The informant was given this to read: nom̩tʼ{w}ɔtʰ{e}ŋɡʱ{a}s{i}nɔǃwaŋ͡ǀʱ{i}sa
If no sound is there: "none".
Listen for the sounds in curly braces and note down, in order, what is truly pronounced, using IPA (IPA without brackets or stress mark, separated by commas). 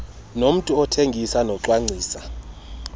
u, e, i, a, iː